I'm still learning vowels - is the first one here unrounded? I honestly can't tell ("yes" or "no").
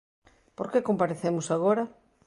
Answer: no